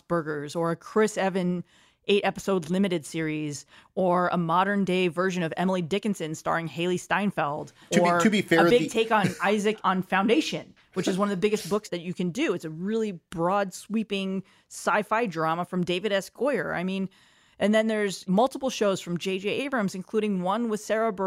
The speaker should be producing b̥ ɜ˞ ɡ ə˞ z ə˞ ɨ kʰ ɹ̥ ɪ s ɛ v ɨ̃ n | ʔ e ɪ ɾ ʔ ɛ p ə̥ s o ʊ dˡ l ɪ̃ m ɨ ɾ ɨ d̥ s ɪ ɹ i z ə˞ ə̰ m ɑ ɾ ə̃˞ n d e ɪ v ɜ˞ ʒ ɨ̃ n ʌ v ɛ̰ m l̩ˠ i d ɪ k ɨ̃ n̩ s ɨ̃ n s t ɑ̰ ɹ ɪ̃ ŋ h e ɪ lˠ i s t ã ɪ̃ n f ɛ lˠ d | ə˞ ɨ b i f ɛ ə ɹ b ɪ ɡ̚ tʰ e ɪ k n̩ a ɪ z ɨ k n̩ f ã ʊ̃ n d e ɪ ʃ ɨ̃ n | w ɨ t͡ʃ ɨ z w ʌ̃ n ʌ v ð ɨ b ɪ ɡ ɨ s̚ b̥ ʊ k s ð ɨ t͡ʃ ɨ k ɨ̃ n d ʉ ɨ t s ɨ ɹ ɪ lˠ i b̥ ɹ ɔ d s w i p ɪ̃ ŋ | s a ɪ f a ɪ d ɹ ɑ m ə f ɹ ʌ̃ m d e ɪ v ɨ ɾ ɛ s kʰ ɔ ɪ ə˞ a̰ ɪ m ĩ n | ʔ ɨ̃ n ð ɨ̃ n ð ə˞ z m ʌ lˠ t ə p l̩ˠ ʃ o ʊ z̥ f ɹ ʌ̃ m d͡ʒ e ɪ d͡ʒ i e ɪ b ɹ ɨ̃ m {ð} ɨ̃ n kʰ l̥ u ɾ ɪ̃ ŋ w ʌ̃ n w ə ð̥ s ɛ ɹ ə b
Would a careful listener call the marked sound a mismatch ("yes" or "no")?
yes